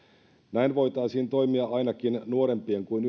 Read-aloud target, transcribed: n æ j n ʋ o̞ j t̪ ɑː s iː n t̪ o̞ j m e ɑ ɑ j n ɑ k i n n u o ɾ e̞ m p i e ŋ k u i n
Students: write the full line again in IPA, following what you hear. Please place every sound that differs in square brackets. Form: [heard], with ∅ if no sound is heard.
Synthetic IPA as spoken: n æ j n ʋ o̞ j t̪ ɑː s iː n t̪ o̞ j m [i] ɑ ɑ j n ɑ k i n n u o ɾ e̞ m p i e ŋ k u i n

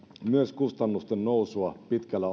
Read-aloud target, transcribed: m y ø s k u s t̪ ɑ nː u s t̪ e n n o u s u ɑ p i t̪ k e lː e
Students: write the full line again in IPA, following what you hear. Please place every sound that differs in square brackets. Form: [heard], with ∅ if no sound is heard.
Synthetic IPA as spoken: m y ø s k u s t̪ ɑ nː u s t̪ e n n o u s u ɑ p i t̪ k [æ] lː [æ]

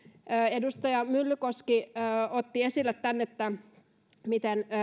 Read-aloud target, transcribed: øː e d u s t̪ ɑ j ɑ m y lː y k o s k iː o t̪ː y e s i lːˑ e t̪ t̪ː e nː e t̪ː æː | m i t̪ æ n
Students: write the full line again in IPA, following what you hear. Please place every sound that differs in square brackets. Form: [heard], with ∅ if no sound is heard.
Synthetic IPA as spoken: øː e d u s t̪ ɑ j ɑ m y lː y k o s k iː o t̪ː [i] e s i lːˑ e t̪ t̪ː [æ] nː e t̪ː [æ] | m i t̪ [e] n

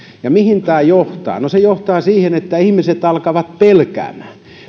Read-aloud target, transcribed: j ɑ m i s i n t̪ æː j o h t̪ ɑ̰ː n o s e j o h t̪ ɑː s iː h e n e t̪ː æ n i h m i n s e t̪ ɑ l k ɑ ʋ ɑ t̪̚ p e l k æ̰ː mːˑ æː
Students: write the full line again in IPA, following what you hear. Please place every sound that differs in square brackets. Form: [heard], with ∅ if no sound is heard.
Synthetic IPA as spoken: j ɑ m i [h] i n t̪ æː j o h t̪ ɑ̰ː n o s e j o h t̪ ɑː s iː h e n e t̪ː æ [∅] i h m i [∅] s e t̪ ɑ l k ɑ ʋ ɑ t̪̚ p e l k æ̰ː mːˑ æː

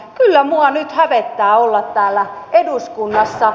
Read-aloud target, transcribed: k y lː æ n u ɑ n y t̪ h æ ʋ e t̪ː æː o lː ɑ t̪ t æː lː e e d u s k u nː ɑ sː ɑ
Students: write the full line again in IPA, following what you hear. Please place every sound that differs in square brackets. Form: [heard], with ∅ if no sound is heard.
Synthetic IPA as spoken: k y lː æ [m] u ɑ n y t̪ h æ ʋ e t̪ː æː o lː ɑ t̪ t æː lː [æ] e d u s k u nː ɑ sː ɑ

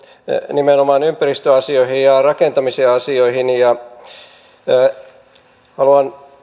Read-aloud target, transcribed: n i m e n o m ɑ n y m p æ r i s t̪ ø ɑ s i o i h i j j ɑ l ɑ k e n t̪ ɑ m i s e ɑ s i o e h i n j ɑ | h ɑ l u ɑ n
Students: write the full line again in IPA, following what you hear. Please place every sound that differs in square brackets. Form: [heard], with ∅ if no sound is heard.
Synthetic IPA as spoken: n i m e n o m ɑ n y m p æ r i s t̪ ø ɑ s i o i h i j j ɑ [r] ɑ k e n t̪ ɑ m i s e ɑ s i o [i] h i n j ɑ | h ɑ l u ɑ n

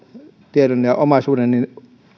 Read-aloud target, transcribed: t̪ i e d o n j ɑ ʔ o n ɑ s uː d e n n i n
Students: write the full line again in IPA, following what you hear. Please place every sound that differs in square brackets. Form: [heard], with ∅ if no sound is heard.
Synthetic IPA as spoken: t̪ i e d o n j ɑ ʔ o [m] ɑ s uː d e n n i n

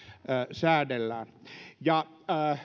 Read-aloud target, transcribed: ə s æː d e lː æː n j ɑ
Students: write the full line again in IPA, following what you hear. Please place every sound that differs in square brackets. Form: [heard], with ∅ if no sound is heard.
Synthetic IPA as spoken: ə s æː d e lː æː n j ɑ

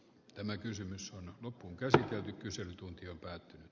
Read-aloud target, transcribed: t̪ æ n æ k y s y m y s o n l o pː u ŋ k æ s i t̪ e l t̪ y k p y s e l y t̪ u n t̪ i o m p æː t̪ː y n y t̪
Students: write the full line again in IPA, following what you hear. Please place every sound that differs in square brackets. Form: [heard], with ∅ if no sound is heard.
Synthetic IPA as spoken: t̪ æ [m] æ k y s y m y s o n l o pː u ŋ k æ s i t̪ e l t̪ y k [k] y s e l y t̪ u n t̪ i o m p æː t̪ː y n y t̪

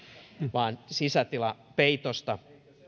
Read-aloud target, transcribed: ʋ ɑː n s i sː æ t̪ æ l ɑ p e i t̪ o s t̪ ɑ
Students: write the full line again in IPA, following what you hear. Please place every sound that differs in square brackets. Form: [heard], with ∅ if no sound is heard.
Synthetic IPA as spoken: ʋ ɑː n s i [s] æ t̪ [i] l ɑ p e i t̪ o s t̪ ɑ

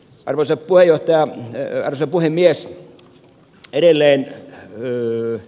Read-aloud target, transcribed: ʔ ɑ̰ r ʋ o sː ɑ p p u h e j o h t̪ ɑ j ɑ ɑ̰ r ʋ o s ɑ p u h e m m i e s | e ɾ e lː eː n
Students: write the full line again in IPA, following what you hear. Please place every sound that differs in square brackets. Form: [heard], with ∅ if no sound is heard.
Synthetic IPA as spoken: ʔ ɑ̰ r ʋ o [s] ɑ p p u h e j o h t̪ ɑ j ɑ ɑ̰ r ʋ o s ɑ p u h e m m i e s | e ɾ e lː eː n

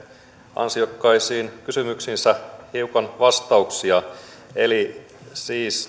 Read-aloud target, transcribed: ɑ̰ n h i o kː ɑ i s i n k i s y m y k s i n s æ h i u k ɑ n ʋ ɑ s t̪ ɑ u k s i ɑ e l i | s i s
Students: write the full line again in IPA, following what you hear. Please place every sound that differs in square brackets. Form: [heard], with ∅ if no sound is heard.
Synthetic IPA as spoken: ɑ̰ n [s] i o kː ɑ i s [iː] n k [y] s y m y k s i n s æ h i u k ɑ n ʋ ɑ s t̪ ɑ u k s i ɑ e l i | s [iː] s

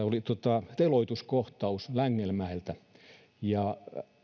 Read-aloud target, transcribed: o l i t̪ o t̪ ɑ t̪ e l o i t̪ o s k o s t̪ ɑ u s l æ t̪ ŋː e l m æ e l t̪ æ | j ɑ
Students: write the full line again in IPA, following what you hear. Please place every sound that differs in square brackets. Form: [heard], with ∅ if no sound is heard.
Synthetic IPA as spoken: o l i t̪ o t̪ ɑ t̪ e l o i t̪ [u] s k o [h] t̪ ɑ u s l æ [∅] ŋː e l m æ e l t̪ æ | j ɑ

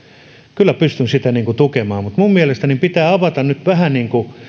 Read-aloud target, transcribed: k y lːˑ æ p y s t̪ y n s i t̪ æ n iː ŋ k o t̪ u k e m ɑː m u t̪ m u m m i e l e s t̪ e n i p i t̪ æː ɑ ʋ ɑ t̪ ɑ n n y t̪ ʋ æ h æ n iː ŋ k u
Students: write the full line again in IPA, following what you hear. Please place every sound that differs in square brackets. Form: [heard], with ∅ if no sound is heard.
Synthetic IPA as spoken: k y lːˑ æ p y s t̪ y n s i t̪ æ n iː ŋ k [u] t̪ u k e m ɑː m u t̪ m u m m i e l e s t̪ [æ] n i p i t̪ æː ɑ ʋ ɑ t̪ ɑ n n y t̪ ʋ æ h æ n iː ŋ k u

